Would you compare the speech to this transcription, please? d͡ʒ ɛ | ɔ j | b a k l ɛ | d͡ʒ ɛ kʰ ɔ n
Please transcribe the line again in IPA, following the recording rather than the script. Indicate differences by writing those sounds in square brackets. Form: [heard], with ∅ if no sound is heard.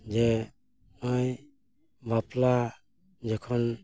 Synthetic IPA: d͡ʒ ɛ | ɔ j | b a [p] l [a] | d͡ʒ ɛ kʰ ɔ n